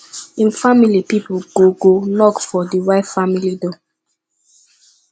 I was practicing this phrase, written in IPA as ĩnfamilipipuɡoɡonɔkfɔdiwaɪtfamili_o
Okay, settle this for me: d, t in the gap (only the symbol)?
d